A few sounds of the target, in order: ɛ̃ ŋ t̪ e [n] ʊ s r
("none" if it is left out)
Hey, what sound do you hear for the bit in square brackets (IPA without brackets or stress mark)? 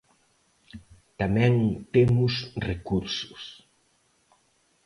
m